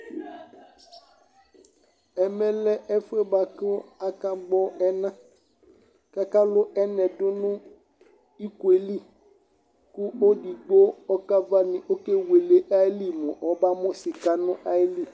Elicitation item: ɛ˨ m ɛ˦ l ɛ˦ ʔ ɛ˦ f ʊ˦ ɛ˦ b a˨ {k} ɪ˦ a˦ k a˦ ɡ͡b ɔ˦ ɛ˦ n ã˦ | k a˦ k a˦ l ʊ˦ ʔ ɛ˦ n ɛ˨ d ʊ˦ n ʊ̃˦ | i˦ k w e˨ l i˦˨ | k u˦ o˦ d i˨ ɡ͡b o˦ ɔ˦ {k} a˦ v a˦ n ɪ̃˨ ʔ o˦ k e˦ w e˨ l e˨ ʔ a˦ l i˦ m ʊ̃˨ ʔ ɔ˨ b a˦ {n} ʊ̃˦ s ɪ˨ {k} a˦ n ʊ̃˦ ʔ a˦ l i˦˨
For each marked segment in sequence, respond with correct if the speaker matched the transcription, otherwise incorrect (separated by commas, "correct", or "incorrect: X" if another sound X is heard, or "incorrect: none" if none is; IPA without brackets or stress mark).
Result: correct, correct, incorrect: m, correct